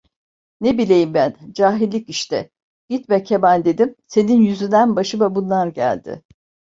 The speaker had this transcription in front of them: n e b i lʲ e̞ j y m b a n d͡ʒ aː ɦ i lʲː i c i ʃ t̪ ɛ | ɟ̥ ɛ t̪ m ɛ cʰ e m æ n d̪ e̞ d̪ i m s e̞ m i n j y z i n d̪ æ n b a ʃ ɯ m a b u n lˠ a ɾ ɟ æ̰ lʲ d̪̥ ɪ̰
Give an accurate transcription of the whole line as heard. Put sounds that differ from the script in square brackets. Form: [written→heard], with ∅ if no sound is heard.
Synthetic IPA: n e b i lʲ e̞ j [y→i] m b [a→æ] n d͡ʒ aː ɦ i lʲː i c i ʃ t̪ ɛ | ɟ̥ [ɛ→i] t̪ m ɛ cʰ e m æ n d̪ e̞ d̪ i m s e̞ [m→n] i n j y z [i→y] n d̪ æ n b a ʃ ɯ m a b u n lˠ a ɾ ɟ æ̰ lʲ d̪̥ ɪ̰